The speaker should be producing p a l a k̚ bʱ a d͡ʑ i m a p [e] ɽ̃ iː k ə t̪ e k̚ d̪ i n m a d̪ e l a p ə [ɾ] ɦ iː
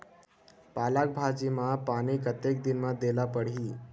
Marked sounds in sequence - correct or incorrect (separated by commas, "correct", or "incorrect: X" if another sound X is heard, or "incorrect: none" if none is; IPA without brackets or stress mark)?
incorrect: a, incorrect: ɽ